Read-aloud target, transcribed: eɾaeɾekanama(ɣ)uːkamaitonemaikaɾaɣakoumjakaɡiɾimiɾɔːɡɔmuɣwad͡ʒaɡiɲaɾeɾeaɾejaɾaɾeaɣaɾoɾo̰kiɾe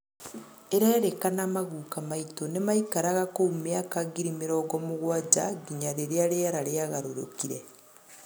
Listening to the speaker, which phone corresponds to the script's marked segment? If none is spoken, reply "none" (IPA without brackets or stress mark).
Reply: ɣ